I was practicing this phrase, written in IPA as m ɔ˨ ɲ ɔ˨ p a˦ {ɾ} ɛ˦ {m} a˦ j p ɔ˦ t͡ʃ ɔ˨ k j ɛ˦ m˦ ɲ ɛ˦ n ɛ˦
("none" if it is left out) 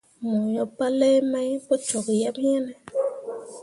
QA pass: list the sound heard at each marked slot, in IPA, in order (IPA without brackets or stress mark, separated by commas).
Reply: l, m